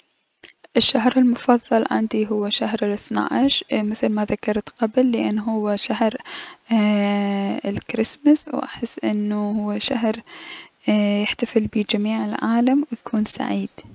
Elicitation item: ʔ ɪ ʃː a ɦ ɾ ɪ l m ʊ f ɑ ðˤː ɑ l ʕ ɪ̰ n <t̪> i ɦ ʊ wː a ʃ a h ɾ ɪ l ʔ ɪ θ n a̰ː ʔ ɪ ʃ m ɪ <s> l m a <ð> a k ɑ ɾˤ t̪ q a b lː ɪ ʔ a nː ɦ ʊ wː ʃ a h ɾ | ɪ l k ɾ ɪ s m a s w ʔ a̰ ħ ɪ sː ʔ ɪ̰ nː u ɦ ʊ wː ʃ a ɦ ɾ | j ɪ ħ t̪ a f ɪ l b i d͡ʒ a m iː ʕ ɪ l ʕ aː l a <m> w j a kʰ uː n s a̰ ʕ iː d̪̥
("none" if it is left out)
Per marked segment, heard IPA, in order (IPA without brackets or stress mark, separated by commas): d̪, θ, ð, m